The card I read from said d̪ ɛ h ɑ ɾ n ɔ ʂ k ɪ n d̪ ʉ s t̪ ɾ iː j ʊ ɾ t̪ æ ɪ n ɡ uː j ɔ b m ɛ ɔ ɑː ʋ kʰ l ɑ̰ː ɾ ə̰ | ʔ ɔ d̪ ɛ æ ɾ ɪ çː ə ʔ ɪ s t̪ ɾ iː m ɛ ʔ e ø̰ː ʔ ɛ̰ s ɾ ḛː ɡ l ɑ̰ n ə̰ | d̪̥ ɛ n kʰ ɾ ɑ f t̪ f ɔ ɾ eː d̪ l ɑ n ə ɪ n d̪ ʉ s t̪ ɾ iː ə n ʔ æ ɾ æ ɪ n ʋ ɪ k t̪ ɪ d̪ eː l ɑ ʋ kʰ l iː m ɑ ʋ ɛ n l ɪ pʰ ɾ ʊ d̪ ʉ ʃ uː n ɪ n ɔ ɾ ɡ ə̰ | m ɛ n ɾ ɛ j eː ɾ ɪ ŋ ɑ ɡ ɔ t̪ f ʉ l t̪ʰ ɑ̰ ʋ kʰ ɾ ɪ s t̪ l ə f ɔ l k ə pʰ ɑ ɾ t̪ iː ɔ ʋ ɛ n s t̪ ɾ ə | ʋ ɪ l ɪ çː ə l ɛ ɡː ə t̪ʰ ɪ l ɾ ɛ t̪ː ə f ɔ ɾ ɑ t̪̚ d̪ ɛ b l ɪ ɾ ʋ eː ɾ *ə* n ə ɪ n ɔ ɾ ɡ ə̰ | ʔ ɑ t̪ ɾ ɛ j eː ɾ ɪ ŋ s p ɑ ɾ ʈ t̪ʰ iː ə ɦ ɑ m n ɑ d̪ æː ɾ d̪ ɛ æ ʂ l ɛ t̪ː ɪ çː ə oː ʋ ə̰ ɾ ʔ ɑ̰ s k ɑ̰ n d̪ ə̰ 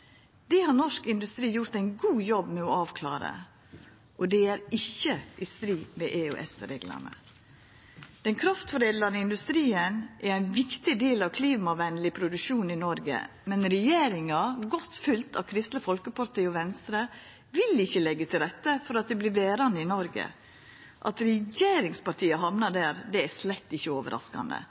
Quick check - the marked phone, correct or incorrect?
incorrect